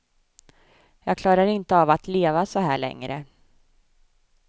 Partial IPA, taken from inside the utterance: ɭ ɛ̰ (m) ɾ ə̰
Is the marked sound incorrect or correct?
incorrect